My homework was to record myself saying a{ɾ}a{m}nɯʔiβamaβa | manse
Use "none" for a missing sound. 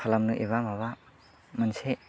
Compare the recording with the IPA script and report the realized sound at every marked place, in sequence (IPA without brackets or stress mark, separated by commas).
l, m